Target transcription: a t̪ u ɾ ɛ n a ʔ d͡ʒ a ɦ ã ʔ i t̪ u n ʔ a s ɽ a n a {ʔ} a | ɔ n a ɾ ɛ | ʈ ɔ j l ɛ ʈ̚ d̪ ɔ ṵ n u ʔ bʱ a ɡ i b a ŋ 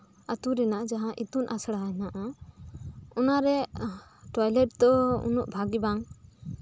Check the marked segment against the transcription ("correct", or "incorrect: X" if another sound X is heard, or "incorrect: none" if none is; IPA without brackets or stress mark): correct